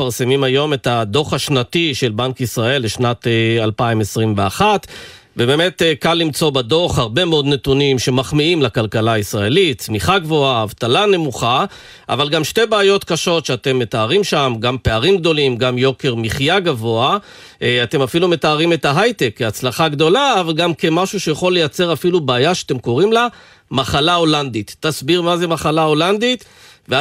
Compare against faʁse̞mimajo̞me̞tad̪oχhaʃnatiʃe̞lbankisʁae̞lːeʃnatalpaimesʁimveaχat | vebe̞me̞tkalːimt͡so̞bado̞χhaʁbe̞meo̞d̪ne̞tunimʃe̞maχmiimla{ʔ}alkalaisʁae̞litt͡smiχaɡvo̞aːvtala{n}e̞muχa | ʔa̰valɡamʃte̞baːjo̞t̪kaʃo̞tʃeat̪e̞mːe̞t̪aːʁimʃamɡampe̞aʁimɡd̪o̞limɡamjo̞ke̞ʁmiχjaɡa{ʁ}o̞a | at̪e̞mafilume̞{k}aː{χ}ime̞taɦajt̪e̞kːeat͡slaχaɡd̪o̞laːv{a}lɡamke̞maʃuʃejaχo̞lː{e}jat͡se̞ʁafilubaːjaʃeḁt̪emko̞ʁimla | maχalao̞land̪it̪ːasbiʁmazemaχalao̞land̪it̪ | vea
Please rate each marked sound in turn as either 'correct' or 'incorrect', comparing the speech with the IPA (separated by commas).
incorrect, correct, incorrect, incorrect, incorrect, correct, correct